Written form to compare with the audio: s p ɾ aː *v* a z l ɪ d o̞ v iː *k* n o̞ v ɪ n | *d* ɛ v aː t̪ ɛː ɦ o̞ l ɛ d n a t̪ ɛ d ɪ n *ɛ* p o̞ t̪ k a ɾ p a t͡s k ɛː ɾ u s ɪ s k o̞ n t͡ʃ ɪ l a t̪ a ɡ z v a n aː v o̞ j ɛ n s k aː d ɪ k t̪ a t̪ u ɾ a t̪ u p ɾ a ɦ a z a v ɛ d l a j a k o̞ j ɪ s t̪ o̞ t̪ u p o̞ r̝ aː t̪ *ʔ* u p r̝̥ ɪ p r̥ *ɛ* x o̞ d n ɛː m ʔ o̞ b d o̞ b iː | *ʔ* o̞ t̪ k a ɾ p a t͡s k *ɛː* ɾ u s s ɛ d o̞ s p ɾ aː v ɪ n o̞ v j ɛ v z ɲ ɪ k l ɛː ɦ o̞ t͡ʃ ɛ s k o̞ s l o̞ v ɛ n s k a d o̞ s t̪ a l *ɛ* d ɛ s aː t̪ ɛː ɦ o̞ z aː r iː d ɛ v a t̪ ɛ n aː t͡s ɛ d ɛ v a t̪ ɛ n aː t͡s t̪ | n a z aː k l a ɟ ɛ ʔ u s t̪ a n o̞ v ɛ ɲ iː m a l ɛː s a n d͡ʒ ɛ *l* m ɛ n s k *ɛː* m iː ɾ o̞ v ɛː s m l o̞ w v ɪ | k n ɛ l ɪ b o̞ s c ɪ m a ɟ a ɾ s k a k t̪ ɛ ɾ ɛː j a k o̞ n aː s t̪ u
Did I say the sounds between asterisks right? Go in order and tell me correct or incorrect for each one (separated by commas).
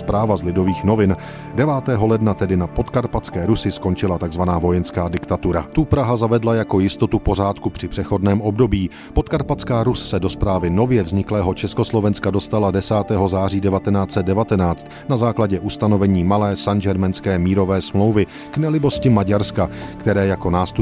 correct, incorrect, correct, incorrect, incorrect, correct, incorrect, incorrect, incorrect, incorrect, correct